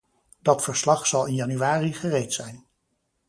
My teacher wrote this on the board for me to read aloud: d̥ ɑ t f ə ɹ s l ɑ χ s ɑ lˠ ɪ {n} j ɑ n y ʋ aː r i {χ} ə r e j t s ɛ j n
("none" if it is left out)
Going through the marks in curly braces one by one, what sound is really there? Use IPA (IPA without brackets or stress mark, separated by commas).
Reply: n, χ